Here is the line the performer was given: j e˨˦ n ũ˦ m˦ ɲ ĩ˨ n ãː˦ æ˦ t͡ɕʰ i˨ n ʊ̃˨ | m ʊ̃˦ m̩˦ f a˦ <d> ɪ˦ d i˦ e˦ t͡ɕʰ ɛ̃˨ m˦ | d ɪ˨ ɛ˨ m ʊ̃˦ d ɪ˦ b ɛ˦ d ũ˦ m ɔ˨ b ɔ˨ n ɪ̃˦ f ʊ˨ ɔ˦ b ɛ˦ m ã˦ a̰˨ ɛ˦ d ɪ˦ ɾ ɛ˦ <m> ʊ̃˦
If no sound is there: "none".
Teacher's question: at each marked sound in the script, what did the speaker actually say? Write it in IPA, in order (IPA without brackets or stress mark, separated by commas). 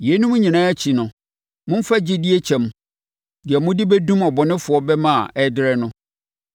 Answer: d͡ʑ, n